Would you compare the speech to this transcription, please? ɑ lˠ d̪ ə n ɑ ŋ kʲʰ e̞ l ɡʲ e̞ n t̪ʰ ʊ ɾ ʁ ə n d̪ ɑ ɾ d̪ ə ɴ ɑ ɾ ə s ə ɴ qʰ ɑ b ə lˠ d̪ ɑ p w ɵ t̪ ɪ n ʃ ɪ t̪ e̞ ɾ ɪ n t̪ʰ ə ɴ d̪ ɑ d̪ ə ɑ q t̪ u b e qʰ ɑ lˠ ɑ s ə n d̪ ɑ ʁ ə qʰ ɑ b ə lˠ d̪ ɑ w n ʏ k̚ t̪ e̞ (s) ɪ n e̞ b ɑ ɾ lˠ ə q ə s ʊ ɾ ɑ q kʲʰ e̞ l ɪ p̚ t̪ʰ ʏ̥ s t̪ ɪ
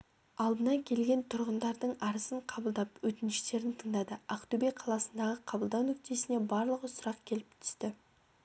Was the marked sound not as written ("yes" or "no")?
no